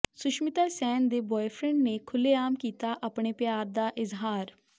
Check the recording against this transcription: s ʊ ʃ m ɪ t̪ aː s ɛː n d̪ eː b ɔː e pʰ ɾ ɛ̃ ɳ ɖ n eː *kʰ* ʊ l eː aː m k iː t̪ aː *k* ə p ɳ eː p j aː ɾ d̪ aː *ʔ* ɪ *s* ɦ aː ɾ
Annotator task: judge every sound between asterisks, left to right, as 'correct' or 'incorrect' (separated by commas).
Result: correct, incorrect, correct, incorrect